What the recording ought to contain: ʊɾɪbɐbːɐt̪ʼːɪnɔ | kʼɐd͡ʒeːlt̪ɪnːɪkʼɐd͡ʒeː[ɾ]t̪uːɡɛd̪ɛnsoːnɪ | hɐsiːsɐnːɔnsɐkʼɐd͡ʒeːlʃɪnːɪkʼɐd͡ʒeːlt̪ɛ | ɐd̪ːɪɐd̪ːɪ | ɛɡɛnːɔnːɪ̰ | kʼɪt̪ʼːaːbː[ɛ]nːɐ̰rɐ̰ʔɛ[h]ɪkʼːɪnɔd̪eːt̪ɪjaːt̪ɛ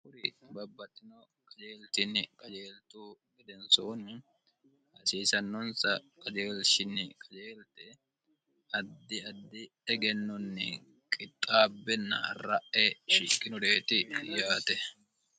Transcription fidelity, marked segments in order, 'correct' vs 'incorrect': incorrect: l, correct, incorrect: ʃ

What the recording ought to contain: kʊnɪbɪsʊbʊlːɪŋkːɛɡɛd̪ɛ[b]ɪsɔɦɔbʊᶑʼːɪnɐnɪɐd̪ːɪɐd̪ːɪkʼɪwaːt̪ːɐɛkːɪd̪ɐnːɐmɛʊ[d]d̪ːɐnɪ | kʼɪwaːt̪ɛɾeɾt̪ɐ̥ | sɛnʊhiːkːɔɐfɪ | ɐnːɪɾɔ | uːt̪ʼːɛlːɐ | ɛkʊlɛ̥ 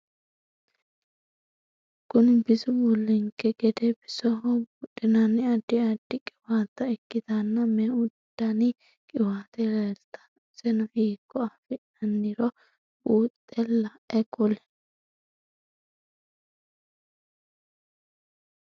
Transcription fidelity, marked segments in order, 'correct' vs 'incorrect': correct, correct

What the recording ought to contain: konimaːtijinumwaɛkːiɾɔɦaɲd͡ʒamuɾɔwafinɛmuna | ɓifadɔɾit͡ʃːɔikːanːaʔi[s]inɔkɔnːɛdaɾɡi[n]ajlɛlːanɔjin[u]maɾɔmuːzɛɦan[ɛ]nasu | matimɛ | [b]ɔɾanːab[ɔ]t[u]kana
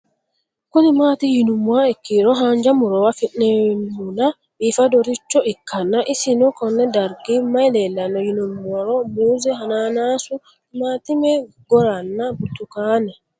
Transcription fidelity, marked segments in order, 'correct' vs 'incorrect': correct, incorrect: m, correct, incorrect: a, incorrect: ɡ, incorrect: u, correct

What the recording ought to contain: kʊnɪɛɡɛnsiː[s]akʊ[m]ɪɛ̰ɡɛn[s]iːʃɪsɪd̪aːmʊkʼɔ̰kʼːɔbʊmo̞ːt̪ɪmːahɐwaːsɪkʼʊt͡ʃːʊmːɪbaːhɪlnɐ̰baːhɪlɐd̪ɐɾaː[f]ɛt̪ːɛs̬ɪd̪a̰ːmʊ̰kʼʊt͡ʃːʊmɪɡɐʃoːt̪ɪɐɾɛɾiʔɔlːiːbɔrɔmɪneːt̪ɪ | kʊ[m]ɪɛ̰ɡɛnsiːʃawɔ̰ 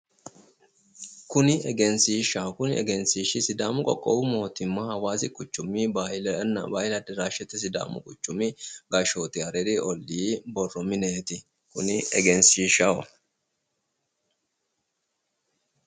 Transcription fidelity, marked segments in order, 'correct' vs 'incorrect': incorrect: ʃ, incorrect: n, correct, incorrect: ʃ, incorrect: n

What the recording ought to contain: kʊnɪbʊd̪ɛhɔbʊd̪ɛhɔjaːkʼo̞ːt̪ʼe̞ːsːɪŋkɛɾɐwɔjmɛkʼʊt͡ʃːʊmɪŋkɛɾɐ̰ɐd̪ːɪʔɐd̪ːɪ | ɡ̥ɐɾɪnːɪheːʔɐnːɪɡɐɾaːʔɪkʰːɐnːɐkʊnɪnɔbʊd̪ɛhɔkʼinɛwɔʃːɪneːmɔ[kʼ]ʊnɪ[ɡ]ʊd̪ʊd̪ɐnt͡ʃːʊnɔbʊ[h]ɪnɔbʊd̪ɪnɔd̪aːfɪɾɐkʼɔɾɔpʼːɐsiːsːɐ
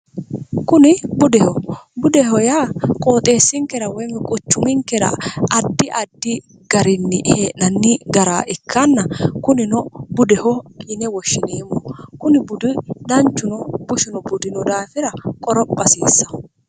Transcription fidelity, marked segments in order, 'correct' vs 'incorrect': incorrect: k, incorrect: b, incorrect: ʃ

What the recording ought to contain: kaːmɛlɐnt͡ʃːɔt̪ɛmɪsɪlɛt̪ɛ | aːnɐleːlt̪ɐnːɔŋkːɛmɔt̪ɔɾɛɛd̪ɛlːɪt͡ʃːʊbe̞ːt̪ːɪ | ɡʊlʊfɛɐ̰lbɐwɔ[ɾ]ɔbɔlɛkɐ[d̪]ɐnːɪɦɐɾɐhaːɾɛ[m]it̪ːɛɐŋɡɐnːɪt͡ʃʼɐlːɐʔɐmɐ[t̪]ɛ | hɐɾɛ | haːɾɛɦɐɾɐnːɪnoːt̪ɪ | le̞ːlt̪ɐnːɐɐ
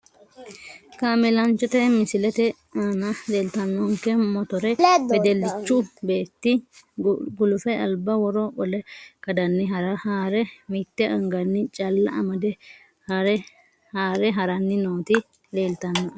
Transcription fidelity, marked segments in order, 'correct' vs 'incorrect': correct, correct, correct, incorrect: d̪

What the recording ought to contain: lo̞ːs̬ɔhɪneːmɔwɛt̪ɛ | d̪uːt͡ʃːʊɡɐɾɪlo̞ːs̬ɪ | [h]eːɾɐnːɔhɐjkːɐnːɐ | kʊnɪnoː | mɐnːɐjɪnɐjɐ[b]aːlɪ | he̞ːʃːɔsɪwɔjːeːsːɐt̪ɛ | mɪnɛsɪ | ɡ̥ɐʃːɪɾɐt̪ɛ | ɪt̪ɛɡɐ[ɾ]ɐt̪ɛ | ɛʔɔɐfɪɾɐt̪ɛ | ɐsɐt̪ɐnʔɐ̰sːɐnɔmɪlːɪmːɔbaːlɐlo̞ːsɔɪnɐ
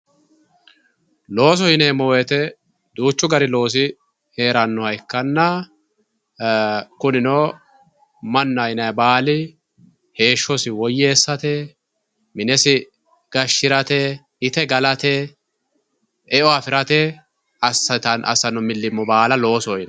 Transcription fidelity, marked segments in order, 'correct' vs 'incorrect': correct, correct, incorrect: l

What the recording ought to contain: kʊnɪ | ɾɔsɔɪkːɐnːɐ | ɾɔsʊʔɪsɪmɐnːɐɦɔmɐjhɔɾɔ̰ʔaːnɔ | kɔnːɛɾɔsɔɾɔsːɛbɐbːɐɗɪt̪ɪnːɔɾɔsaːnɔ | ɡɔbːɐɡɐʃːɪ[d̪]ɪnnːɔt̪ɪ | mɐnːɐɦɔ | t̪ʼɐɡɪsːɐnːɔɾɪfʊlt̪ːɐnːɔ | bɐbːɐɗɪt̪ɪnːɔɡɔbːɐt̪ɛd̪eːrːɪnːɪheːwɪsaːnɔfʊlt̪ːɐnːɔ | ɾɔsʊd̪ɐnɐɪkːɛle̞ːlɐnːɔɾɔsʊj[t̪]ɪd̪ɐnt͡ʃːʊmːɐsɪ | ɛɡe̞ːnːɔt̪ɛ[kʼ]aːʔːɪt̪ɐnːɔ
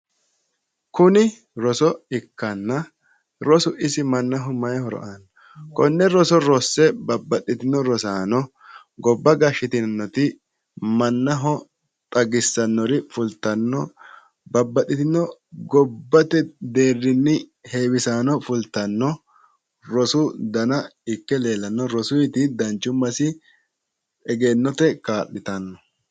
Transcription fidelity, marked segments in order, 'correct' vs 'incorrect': incorrect: t̪, correct, incorrect: k

